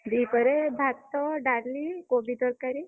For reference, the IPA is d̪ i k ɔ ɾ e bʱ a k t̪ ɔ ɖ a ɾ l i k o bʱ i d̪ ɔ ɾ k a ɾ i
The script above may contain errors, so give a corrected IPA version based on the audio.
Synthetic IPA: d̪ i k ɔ ɾ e bʱ a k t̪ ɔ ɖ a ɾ l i k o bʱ i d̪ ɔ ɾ k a ɾ i